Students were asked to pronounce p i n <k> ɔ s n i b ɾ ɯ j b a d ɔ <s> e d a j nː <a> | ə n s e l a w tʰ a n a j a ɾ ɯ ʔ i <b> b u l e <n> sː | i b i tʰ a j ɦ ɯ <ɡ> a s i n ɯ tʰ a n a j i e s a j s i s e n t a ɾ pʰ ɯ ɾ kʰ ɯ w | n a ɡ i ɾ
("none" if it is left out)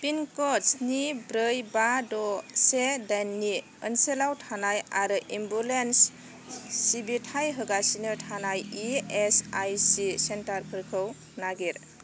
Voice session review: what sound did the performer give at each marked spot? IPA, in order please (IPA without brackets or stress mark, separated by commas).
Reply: k, s, i, m, n, ɡ